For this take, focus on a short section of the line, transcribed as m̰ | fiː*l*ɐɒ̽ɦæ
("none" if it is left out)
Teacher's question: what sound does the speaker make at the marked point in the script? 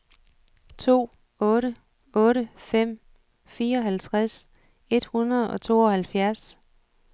none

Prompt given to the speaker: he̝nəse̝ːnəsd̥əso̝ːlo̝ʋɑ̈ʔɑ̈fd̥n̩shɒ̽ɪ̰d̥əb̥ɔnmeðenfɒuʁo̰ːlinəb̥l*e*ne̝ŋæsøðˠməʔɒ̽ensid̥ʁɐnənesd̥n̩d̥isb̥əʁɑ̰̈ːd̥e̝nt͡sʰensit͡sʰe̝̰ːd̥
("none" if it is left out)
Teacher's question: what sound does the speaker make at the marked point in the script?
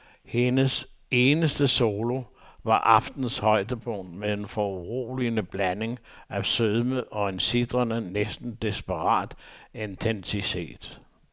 æ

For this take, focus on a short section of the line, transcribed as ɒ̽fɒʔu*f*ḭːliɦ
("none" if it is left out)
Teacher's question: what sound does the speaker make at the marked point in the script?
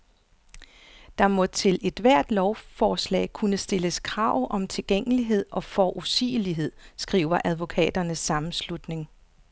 s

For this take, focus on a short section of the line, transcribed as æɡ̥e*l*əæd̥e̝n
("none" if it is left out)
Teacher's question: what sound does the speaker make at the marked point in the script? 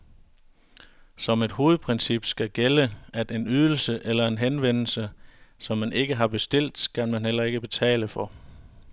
l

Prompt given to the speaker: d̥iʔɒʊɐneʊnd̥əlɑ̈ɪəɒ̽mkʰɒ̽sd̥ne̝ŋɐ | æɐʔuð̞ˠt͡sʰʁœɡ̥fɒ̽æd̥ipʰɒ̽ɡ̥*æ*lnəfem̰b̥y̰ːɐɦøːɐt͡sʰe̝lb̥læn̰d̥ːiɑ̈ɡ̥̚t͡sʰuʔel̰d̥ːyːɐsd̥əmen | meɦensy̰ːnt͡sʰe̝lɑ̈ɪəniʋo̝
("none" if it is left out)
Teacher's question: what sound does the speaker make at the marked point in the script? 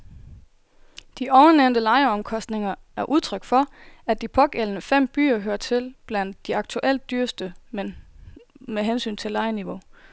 e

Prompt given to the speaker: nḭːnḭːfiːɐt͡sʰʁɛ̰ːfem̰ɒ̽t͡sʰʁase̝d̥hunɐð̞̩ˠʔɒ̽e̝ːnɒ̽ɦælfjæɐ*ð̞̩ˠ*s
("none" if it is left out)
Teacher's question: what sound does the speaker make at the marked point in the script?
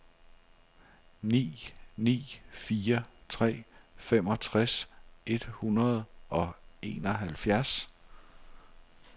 none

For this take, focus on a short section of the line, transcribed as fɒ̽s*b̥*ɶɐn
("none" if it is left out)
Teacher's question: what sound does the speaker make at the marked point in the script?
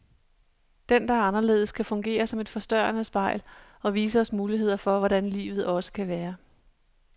d̥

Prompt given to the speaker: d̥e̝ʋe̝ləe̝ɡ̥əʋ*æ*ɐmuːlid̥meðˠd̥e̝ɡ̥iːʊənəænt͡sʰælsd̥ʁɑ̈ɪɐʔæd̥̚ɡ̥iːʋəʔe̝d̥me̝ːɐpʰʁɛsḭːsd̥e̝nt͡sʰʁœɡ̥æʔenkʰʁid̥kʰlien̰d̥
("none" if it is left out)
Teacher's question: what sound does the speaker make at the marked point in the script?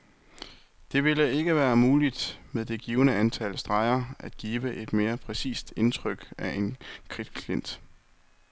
æː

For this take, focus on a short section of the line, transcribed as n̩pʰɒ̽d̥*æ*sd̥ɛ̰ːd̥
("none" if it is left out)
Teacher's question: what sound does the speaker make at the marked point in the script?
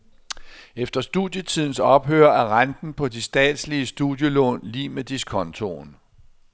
i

